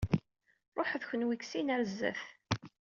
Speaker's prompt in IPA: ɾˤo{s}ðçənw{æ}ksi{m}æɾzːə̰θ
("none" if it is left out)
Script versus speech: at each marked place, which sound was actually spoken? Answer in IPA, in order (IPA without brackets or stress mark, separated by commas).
ħ, i, n